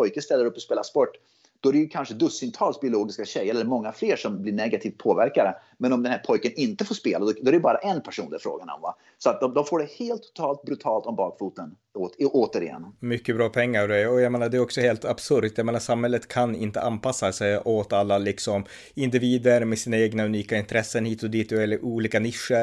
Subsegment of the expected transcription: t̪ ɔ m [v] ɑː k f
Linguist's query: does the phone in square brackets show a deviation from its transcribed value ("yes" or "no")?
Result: yes